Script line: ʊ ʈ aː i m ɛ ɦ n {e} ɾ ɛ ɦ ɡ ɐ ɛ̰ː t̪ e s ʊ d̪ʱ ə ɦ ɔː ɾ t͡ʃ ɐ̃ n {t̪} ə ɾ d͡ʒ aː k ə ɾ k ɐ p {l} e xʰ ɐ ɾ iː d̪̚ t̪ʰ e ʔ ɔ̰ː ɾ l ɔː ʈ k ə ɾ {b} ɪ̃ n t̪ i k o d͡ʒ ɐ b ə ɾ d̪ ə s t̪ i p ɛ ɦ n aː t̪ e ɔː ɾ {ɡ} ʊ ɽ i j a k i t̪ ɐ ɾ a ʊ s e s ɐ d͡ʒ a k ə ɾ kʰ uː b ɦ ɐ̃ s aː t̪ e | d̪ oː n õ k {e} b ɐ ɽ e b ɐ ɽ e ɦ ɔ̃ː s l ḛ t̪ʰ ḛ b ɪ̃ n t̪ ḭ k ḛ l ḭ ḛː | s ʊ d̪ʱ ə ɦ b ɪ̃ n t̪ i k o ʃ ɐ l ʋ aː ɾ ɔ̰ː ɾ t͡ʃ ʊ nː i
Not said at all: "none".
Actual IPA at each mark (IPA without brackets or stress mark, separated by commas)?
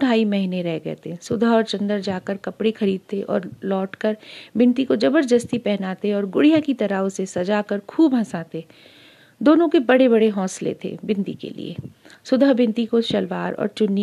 e, d̪, ɽ, b, ɡ, e